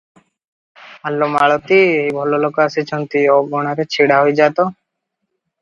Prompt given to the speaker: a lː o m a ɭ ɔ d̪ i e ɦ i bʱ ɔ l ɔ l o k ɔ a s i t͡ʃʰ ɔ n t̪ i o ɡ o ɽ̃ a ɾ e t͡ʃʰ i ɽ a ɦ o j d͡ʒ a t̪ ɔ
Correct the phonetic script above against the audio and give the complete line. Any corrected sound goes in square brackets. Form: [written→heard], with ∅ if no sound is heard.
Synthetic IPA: a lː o m a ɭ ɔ [d̪→t̪] i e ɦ i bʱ ɔ l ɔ l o k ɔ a s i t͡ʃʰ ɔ n t̪ i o ɡ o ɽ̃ a ɾ e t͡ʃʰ i ɽ a ɦ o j d͡ʒ a t̪ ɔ